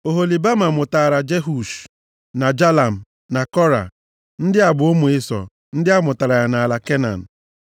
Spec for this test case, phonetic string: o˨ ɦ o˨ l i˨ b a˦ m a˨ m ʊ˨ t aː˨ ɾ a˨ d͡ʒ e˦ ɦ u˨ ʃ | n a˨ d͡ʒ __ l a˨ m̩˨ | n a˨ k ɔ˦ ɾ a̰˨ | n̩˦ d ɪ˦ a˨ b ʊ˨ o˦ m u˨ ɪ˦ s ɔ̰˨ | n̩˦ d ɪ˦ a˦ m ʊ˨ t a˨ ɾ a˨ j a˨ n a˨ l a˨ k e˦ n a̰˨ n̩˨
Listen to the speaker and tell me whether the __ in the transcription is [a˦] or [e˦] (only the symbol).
a˦